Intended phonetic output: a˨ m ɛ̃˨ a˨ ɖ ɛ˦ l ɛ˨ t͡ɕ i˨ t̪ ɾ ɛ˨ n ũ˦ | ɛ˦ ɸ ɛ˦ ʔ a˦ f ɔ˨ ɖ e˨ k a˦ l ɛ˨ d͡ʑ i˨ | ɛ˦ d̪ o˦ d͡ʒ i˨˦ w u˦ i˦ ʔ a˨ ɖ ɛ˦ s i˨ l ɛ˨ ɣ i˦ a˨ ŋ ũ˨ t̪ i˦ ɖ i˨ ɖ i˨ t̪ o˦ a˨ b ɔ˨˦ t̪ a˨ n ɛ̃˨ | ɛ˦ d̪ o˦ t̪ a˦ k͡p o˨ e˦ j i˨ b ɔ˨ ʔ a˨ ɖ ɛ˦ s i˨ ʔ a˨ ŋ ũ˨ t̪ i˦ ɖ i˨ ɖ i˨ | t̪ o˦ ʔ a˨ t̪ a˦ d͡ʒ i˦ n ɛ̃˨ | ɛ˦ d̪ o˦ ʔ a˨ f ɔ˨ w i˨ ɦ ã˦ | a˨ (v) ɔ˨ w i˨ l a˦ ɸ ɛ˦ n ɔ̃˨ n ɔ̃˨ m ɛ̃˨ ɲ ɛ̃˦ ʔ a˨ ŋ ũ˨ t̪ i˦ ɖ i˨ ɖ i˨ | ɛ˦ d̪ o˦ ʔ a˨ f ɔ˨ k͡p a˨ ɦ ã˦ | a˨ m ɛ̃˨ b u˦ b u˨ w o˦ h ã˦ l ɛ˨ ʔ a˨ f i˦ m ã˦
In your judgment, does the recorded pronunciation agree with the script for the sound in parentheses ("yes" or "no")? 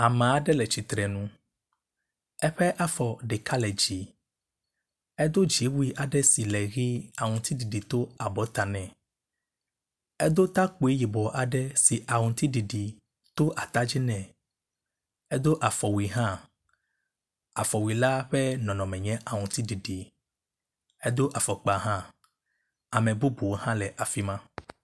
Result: no